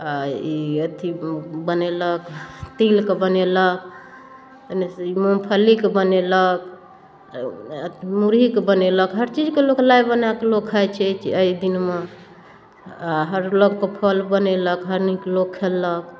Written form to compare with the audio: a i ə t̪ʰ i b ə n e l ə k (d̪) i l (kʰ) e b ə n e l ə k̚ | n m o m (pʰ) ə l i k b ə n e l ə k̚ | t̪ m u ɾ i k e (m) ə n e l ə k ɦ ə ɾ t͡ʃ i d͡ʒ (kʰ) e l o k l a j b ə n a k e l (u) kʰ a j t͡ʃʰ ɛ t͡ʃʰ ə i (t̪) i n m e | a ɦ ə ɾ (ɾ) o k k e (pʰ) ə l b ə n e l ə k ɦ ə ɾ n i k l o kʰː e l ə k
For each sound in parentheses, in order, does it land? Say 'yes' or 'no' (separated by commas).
no, no, yes, no, no, no, no, no, yes